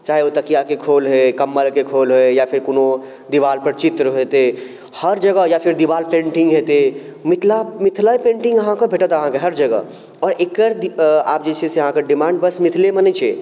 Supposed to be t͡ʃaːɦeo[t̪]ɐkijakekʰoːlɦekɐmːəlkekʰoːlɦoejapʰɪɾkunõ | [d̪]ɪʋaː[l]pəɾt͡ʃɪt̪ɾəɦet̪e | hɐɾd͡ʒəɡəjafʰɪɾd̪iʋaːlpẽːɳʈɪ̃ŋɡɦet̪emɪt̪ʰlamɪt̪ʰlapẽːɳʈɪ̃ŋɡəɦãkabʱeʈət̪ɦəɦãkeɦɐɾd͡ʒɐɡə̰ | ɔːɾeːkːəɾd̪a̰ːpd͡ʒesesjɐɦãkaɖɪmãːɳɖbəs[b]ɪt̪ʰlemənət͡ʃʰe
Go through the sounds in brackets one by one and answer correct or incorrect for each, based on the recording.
correct, correct, correct, incorrect: m

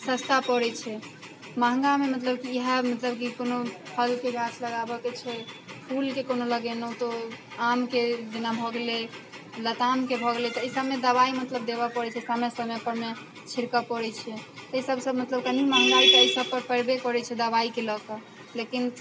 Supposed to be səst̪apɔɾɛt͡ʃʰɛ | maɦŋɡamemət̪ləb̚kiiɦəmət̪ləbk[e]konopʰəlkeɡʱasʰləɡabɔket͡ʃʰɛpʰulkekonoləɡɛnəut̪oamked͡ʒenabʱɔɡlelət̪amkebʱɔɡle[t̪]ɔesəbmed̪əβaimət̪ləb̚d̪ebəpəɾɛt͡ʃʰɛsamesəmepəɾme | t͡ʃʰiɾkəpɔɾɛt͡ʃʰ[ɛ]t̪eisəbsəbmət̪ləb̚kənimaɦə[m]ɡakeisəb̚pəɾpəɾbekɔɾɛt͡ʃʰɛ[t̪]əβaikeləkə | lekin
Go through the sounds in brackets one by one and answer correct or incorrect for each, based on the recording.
incorrect: i, correct, correct, incorrect: ŋ, incorrect: d̪

